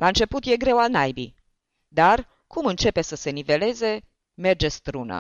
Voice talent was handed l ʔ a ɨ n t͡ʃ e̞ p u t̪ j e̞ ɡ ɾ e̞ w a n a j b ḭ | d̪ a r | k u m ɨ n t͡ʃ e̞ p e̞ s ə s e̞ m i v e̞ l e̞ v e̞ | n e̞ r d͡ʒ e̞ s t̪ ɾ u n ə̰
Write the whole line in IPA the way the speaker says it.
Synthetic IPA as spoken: l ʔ a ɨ n t͡ʃ e̞ p u t̪ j e̞ ɡ ɾ e̞ w a n a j b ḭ | d̪ a r | k u m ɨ n t͡ʃ e̞ p e̞ s ə s e̞ n i v e̞ l e̞ z e̞ | m e̞ r d͡ʒ e̞ s t̪ ɾ u n ə̰